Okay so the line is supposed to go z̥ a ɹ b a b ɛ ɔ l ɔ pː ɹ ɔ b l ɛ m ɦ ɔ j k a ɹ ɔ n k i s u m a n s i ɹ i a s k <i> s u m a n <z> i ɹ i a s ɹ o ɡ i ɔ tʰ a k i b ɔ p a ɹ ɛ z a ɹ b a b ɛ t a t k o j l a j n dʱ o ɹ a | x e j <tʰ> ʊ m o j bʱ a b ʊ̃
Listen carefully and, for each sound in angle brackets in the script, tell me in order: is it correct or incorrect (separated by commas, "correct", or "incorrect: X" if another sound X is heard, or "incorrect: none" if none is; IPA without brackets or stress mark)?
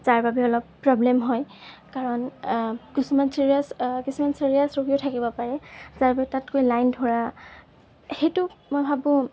correct, incorrect: s, incorrect: t